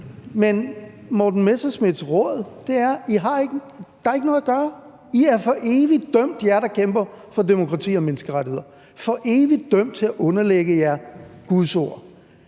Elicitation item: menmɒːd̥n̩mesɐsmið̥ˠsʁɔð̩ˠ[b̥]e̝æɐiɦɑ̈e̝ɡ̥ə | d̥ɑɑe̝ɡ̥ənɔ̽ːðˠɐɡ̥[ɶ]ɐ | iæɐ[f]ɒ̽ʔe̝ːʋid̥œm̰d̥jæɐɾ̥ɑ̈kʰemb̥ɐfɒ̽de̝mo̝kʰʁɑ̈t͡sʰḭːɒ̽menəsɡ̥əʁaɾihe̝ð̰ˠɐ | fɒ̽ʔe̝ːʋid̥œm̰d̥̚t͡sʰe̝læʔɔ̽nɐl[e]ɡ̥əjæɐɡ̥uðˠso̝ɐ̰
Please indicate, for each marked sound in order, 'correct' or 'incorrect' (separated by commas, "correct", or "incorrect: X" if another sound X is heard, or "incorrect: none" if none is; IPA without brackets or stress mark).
incorrect: d̥, incorrect: ɶː, correct, correct